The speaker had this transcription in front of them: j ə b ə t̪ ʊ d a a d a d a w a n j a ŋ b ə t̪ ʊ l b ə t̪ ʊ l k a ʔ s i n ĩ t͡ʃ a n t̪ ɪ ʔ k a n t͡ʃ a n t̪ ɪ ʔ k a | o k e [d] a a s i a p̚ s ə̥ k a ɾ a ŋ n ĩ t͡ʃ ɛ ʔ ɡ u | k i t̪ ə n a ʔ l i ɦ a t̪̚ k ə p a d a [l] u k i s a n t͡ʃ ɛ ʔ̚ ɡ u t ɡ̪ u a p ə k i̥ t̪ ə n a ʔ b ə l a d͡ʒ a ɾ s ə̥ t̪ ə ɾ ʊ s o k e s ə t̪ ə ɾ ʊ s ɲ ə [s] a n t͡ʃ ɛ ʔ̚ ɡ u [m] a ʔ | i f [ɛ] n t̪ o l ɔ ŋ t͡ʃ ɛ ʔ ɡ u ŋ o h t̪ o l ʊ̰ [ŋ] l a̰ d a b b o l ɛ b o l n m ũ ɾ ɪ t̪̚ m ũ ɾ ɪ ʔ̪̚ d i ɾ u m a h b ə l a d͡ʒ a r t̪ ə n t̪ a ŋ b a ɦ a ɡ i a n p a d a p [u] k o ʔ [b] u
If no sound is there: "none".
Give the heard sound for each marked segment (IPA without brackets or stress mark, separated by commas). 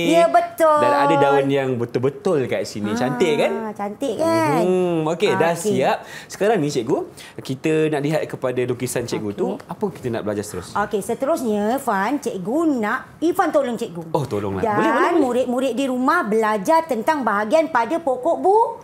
d, l, f, n, a, ŋ, o, b